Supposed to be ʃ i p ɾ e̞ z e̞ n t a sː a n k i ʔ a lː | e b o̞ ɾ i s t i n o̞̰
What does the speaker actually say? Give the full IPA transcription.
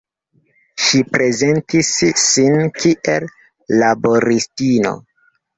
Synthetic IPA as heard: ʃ i p ɾ e̞ z e̞ n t i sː i n k i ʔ e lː | a b o̞ ɾ i s t i n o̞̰